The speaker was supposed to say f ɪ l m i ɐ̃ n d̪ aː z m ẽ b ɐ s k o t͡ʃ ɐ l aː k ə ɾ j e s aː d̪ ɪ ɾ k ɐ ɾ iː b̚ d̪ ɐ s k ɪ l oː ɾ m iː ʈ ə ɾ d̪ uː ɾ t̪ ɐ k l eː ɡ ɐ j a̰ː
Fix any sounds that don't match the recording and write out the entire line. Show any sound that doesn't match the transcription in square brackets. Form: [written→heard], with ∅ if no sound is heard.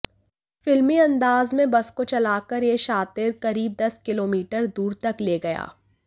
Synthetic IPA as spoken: f ɪ l m i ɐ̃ n d̪ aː z m ẽ b ɐ s k o t͡ʃ ɐ l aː k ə ɾ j e [s→ʃ] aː [d̪→t̪] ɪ ɾ k ɐ ɾ iː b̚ d̪ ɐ s k ɪ l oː [ɾ→∅] m iː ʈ ə ɾ d̪ uː ɾ t̪ ɐ k l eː ɡ ɐ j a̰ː

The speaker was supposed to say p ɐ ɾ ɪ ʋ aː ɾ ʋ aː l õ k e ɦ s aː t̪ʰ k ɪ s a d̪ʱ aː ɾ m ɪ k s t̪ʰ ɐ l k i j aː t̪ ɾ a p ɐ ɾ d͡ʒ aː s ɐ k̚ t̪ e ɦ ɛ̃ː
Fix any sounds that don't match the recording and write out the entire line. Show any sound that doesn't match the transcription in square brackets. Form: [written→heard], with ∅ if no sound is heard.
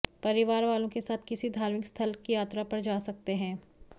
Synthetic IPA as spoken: p ɐ ɾ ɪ ʋ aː ɾ ʋ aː l õ k e [ɦ→∅] s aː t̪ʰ k ɪ s [a→i] d̪ʱ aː ɾ m ɪ k s t̪ʰ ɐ l k i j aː t̪ ɾ a p ɐ ɾ d͡ʒ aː s ɐ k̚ t̪ e ɦ ɛ̃ː

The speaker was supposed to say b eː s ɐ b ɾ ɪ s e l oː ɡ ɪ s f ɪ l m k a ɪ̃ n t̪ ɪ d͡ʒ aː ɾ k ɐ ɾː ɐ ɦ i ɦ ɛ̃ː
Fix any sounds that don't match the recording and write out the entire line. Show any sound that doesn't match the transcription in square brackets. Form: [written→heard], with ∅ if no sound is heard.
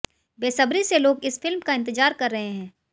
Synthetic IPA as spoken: b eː s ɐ b ɾ [ɪ→i] s e l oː ɡ ɪ s f ɪ l m k a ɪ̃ n t̪ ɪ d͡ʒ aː ɾ k ɐ ɾː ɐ ɦ [i→e] ɦ ɛ̃ː

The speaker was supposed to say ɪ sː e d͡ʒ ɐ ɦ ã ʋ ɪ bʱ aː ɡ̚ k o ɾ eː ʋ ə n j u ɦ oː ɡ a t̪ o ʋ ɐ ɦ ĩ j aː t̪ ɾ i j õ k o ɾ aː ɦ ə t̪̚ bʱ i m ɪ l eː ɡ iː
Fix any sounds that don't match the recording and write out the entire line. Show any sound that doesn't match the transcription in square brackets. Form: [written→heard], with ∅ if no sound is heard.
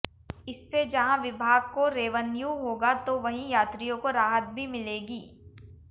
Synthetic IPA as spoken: ɪ sː e d͡ʒ ɐ ɦ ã ʋ ɪ bʱ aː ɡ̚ k o ɾ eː ʋ ə n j u ɦ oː ɡ a t̪ o ʋ ɐ ɦ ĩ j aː t̪ ɾ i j õ k o ɾ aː ɦ ə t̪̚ bʱ i m ɪ l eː ɡ iː

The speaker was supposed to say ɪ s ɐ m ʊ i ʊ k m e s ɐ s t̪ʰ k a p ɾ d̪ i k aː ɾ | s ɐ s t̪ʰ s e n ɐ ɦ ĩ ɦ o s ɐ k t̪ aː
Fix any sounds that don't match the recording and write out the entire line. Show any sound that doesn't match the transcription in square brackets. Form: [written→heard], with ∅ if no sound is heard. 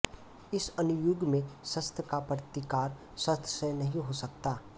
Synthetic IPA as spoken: ɪ s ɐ [m→n] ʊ [i→j] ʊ [k→ɡ] m [e→ẽ] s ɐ s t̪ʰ k a p ɾ [d̪→t̪] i k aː ɾ | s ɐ s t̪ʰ s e n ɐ ɦ ĩ ɦ o s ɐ k t̪ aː

